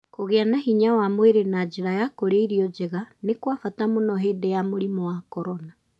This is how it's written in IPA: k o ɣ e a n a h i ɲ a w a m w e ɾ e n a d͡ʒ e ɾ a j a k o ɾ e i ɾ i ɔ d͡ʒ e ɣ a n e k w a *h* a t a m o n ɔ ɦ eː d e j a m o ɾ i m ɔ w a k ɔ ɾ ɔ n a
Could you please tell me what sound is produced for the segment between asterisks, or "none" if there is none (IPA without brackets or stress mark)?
f